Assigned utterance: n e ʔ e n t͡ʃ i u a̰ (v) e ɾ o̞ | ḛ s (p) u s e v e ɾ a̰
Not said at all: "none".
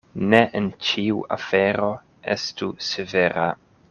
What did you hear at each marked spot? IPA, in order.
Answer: f, t

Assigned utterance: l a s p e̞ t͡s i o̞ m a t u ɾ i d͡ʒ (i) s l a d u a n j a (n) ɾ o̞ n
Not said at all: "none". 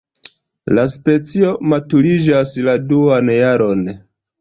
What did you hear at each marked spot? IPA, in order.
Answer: a, none

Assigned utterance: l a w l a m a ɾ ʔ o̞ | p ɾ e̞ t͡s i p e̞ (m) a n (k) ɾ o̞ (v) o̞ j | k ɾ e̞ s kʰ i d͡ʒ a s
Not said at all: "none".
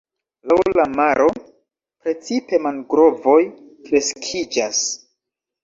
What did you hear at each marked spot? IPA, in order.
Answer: m, ɡ, v

